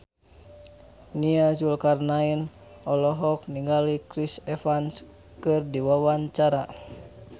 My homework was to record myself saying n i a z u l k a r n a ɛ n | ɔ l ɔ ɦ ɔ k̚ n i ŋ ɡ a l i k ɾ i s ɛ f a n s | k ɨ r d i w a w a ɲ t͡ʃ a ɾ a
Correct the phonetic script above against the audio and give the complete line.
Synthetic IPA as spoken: n i a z u l k a r n a i n | ɔ l ɔ ɦ ɔ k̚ n i ŋ ɡ a l i k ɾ i s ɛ f a n s | k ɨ r d i w a w a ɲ t͡ʃ a ɾ a